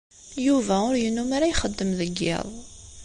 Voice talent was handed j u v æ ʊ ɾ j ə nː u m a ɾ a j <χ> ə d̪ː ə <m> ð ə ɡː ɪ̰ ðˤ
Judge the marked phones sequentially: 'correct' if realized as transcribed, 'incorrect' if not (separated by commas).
correct, correct